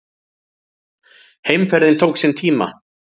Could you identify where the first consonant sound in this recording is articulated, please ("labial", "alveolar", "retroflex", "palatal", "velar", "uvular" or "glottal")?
glottal